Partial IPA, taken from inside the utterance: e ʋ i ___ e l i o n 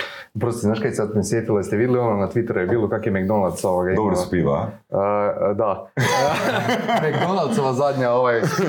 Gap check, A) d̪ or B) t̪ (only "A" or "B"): A